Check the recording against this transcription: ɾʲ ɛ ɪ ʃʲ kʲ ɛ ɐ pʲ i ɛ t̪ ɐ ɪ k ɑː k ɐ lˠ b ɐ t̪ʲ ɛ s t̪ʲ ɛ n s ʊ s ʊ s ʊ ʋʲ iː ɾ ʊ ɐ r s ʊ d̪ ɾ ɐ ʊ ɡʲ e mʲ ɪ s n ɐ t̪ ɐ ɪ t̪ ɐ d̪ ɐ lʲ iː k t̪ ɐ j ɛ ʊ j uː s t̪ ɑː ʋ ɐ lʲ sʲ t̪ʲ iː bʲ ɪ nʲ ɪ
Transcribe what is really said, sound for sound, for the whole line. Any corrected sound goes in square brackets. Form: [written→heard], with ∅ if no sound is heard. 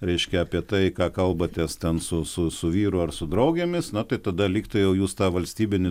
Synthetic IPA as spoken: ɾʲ ɛ ɪ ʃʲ kʲ ɛ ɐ pʲ i ɛ t̪ ɐ ɪ k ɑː k ɐ lˠ b ɐ t̪ʲ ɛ s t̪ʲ ɛ n s ʊ s ʊ s ʊ ʋʲ iː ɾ ʊ ɐ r s ʊ d̪ ɾ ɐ ʊ ɡʲ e mʲ ɪ s n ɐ t̪ ɐ ɪ t̪ ɐ d̪ ɐ lʲ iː k t̪ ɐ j ɛ ʊ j uː s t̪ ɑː ʋ ɐ lʲ sʲ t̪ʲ iː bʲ ɪ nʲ ɪ